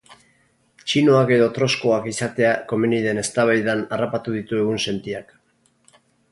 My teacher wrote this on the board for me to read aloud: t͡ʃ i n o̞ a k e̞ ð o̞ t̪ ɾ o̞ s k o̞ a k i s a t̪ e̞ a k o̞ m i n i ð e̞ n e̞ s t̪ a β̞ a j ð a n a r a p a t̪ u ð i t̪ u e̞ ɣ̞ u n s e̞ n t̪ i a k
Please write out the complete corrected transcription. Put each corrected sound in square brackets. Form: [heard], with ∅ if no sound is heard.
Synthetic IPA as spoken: t͡ʃ i n o̞ a k e̞ ð o̞ t̪ ɾ o̞ s k o̞ a k i s a t̪ e̞ a k o̞ m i n i ð e̞ n e̞ s t̪ a β̞ a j ð a n a r a p a t̪ u ð i t̪ u e̞ ɣ̞ u n s e̞ n t̪ i a k